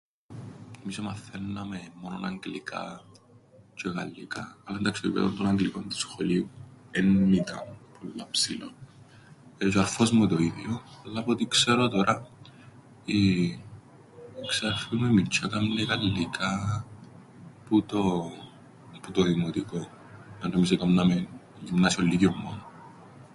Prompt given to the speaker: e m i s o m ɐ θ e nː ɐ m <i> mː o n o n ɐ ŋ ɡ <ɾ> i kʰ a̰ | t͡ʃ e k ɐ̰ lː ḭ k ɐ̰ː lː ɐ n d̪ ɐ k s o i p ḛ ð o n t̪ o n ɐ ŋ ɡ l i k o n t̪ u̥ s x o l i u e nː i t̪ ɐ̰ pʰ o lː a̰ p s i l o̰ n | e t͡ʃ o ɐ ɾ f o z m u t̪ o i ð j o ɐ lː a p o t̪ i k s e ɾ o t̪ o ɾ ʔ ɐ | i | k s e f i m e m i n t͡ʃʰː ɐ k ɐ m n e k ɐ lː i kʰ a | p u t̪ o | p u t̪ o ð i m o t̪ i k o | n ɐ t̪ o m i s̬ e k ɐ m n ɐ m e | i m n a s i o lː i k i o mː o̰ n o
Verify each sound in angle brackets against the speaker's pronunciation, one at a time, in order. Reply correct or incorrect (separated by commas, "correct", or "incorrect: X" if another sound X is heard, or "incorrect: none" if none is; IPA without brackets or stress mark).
incorrect: e, incorrect: l